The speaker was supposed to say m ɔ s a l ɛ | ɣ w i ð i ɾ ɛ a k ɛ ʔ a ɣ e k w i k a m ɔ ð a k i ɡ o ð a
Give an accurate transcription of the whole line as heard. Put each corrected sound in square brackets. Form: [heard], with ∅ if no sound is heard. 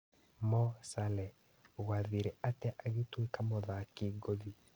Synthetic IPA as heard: m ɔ s a l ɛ | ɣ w [a] ð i ɾ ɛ a [t] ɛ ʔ a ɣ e [t] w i k a m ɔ ð a k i ɡ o ð [i]

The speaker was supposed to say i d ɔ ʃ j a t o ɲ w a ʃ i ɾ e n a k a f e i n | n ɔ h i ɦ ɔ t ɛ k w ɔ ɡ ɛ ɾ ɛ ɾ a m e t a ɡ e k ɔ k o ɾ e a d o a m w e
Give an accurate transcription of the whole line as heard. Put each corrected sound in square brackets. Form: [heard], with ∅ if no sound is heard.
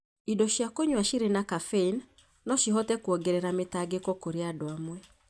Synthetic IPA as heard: i d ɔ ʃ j a [k] o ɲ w a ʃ i ɾ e n a k a f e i n | n ɔ [ʃ] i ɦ ɔ t ɛ k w ɔ ɡ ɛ ɾ ɛ ɾ a m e t a ɡ e k ɔ k o ɾ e a d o a m w [ɛ]

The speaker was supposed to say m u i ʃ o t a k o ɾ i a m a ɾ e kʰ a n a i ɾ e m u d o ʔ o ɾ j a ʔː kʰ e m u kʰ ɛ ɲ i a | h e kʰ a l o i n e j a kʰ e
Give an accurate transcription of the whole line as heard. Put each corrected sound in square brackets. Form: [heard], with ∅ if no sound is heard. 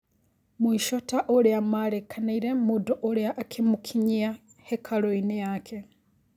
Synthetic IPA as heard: m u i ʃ o t a [ʔ] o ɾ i a m a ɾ e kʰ a n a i ɾ e m u d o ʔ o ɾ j a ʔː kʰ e m u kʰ [i] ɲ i a | h e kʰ a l o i n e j a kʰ e

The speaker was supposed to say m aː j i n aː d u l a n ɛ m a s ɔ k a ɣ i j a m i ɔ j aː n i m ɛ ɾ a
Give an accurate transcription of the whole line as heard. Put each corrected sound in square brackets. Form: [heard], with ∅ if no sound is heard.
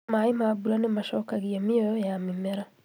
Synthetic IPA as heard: m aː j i [m] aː [b] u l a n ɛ m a [ʃ] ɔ k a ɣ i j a m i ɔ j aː [m] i m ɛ ɾ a

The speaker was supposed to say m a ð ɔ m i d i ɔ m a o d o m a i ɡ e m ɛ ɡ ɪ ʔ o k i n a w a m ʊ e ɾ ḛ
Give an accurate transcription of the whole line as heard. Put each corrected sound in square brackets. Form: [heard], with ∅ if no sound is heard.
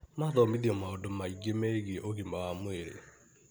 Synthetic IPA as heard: m a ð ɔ m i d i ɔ m a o d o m a i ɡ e m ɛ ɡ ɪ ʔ o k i [m] a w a m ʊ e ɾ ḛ

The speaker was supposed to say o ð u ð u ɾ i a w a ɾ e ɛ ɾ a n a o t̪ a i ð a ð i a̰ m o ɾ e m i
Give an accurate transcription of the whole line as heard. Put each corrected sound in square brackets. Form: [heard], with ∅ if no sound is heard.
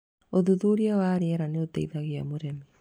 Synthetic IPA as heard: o ð u ð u ɾ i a w a ɾ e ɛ ɾ a n [e] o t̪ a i ð a [ɣ] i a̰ m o ɾ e m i

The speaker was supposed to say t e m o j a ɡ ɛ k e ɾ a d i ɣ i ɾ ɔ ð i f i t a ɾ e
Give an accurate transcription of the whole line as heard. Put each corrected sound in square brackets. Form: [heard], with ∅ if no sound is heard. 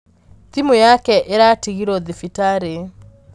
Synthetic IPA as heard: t [i] m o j a [k] ɛ [ʔ] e ɾ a [t] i ɣ i ɾ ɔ ð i f i t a ɾ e

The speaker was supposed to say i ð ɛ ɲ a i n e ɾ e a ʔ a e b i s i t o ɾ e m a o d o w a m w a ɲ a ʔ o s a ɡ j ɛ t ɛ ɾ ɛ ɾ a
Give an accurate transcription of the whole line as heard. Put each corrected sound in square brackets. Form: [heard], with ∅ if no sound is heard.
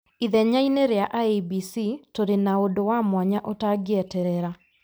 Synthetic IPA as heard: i ð ɛ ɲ a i n e ɾ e a ʔ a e b i s i t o ɾ e [n] a o d o w a m w a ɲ a ʔ o [t] a ɡ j ɛ t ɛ ɾ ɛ ɾ a

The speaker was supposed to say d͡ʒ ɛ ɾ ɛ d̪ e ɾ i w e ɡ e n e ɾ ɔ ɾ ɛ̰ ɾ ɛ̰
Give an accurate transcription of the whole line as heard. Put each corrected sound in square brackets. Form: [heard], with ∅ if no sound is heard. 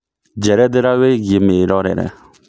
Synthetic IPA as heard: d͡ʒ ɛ ɾ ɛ d̪ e ɾ [a] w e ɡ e [m] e ɾ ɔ ɾ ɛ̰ ɾ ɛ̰

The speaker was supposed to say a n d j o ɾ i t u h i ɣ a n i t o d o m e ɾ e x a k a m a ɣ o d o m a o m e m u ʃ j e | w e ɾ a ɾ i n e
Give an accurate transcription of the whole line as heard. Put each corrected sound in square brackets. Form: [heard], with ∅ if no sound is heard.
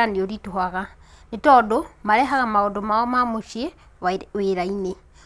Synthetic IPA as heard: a n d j o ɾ i t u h [a] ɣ a n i t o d o m [a] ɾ e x a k a m a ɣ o d o m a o m [a] m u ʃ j e | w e ɾ a [∅] i n e

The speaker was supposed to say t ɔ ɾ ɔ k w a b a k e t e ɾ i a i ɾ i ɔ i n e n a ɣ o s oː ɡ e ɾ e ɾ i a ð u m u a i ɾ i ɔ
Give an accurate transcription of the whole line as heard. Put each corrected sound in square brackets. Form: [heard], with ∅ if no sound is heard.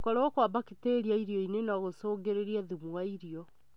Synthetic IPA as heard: [k] ɔ ɾ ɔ k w a b a k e t e ɾ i a i ɾ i ɔ i n e n a ɣ o s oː ɡ e ɾ e ɾ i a ð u m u a i ɾ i ɔ

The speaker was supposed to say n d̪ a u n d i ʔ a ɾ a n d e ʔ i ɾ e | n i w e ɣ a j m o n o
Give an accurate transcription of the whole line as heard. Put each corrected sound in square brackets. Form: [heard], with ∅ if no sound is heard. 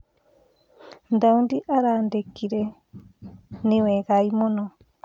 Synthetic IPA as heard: n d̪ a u n d i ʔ a ɾ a n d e [k] i ɾ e | n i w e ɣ a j m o n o

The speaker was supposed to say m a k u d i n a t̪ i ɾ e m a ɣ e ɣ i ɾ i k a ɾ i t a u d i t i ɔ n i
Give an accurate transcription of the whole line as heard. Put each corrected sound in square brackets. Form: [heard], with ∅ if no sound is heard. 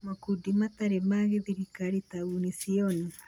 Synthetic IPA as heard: m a k u d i [m] a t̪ [a] ɾ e m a ɣ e [ð] i ɾ i k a ɾ i t a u [n] i [s] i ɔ n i

